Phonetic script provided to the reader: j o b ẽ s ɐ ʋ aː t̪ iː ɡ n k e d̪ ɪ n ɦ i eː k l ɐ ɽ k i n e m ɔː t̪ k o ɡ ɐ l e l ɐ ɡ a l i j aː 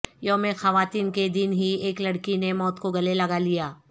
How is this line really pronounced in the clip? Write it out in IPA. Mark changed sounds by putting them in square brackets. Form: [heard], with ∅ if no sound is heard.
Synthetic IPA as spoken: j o [m] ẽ [x] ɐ ʋ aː t̪ iː [∅] n k e d̪ ɪ n ɦ i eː k l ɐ ɽ k i n e m ɔː t̪ k o ɡ ɐ l e l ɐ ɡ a l i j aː